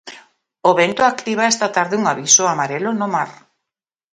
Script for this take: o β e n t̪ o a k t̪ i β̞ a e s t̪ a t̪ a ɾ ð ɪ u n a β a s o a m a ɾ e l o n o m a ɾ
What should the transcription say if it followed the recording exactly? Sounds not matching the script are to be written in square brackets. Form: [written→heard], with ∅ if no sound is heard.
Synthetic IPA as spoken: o β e n t̪ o a k t̪ i β̞ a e s t̪ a t̪ a ɾ ð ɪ u [n→ŋ] a β [a→i] s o a m a ɾ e l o n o m a ɾ